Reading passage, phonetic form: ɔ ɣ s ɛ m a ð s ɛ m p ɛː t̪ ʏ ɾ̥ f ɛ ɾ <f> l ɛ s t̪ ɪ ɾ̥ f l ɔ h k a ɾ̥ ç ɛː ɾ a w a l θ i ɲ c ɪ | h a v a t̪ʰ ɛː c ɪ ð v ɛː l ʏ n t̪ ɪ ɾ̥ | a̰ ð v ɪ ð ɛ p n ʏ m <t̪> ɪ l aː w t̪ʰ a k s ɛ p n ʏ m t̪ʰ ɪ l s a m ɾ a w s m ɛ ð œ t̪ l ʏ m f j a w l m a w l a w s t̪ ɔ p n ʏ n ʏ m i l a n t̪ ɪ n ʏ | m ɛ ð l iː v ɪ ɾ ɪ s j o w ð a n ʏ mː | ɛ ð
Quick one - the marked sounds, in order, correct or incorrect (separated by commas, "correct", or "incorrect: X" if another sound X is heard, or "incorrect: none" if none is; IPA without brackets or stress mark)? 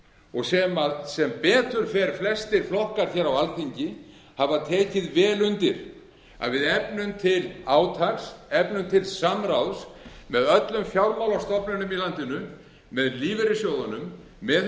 correct, incorrect: t̪ʰ